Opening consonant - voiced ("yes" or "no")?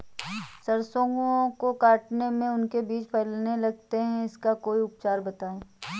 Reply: no